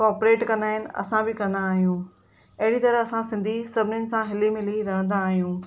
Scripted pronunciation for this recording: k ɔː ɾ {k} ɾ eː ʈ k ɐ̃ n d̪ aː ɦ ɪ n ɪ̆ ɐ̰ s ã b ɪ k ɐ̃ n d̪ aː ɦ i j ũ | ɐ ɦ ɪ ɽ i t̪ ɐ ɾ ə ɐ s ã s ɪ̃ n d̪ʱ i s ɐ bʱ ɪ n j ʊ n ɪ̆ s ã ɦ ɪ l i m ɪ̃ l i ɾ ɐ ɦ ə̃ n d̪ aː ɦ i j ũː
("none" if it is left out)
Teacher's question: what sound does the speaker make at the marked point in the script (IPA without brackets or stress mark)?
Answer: p